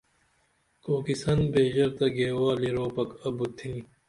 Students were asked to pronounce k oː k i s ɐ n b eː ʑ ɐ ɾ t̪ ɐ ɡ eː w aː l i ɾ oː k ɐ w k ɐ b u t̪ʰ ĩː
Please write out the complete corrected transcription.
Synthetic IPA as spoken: k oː k i s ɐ n b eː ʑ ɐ ɾ t̪ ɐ ɡ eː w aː l i ɾ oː p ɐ k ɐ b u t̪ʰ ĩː